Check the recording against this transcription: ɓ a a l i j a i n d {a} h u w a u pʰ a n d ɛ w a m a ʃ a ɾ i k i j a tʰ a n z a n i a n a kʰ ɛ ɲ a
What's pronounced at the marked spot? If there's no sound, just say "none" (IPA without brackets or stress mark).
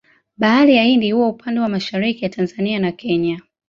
i